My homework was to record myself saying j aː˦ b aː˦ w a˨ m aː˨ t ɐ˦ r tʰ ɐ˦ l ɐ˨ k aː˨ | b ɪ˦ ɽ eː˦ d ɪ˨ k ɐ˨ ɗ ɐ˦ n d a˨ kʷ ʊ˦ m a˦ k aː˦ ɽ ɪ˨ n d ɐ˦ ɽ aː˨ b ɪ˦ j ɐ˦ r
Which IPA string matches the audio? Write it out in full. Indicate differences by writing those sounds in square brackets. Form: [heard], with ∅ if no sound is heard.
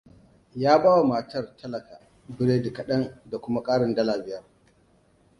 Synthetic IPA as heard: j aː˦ b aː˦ w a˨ m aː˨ t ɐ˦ r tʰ ɐ˦ l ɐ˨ k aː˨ | b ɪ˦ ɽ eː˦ d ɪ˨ k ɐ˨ ɗ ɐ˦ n d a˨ kʷ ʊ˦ m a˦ [kʼ] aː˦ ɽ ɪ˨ n d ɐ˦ [l] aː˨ b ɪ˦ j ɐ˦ r